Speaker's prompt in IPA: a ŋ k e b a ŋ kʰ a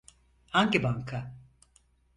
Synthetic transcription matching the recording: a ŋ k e b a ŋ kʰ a